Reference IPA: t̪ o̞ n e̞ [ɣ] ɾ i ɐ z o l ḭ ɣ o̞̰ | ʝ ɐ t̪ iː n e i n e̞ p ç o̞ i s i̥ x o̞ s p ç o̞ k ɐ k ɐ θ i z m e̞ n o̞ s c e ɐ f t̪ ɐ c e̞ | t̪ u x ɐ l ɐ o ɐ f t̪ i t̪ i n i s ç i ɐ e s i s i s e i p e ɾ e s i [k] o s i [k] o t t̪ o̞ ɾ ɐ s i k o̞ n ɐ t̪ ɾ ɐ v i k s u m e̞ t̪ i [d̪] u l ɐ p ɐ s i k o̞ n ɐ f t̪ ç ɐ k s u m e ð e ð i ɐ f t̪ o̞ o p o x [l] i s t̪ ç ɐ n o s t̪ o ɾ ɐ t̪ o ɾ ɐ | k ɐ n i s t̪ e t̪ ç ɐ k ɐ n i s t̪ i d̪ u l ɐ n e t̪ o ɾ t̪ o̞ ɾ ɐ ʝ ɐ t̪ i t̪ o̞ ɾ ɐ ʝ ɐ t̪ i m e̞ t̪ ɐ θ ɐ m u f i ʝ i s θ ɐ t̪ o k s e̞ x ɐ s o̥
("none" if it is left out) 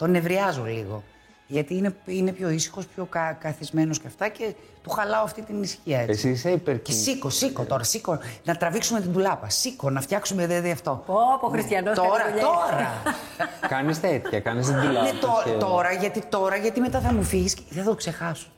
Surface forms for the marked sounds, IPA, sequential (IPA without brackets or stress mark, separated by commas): v, k, k, d̪, ɾ